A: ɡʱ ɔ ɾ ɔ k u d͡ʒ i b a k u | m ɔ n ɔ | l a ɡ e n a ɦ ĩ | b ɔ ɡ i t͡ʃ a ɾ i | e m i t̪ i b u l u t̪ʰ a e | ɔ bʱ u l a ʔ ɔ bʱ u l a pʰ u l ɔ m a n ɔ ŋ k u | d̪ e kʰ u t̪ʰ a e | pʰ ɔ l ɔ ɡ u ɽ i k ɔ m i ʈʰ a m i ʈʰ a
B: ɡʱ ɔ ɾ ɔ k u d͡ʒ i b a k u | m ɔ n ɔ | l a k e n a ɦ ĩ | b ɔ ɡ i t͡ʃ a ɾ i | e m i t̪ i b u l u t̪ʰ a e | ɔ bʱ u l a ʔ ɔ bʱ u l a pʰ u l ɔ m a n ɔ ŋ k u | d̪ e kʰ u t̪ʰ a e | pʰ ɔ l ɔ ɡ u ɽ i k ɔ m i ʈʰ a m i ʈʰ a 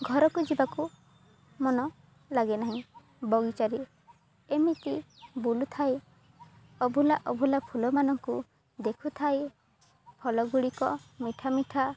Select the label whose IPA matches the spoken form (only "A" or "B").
A